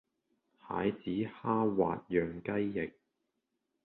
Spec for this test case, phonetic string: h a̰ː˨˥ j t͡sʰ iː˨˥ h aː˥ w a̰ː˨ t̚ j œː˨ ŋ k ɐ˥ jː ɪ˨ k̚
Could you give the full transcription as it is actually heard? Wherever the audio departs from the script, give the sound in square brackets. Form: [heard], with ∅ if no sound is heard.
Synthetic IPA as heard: h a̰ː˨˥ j [t͡s] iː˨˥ h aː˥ w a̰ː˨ t̚ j œː˨ ŋ k ɐ˥ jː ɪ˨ k̚